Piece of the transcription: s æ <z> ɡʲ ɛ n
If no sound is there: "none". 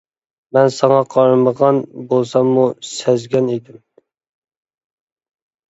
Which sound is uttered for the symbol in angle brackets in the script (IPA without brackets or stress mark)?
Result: z